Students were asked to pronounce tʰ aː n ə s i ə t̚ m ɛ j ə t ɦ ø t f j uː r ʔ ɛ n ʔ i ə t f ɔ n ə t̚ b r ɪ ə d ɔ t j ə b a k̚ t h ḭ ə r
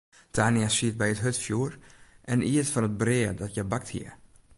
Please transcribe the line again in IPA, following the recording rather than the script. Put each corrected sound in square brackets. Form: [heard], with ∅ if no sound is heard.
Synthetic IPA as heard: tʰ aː n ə s i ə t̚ [b] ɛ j ə t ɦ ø t f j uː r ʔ ɛ n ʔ i ə t f ɔ n ə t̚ b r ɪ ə d ɔ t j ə b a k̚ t h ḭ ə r